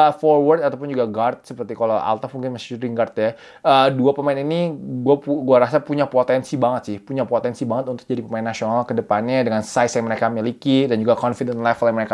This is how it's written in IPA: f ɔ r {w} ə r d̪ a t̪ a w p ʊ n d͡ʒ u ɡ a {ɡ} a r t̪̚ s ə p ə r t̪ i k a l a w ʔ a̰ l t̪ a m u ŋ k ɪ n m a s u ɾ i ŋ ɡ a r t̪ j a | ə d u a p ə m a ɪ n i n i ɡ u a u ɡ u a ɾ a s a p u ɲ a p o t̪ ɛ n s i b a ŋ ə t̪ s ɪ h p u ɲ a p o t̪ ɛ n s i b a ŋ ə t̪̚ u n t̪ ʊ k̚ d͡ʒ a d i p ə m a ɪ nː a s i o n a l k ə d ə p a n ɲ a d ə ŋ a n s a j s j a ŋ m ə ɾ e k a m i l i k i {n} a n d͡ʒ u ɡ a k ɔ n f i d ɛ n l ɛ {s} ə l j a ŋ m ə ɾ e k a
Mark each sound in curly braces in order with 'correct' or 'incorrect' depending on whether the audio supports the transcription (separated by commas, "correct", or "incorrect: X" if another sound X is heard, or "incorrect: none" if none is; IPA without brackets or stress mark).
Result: correct, correct, incorrect: d, incorrect: f